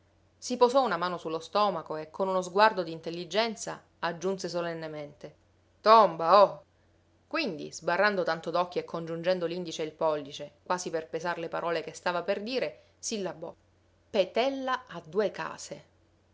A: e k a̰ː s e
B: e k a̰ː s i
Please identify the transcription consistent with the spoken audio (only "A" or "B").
A